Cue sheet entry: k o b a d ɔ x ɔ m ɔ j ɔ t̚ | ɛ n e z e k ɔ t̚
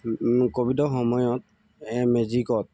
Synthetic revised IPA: k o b i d ɔ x ɔ m ɔ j ɔ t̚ | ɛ m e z i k ɔ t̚